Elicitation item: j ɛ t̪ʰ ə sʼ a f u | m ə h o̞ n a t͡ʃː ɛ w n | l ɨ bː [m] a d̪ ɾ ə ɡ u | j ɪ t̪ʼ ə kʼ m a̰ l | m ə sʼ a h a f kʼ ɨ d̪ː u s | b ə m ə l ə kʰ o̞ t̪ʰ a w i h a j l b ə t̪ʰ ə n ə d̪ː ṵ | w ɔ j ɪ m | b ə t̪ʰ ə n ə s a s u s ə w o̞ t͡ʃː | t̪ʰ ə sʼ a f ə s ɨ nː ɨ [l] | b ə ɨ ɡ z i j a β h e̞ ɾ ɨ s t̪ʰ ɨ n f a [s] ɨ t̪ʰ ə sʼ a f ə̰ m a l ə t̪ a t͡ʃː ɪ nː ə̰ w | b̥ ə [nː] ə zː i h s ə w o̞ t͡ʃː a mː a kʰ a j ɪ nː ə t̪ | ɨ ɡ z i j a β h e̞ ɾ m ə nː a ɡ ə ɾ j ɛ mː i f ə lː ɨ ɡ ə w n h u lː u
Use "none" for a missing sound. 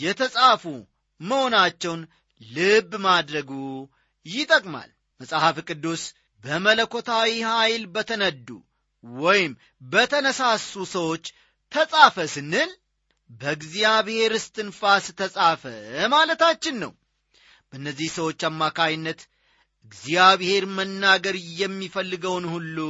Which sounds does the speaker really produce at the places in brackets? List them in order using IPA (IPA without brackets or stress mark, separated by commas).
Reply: m, l, s, nː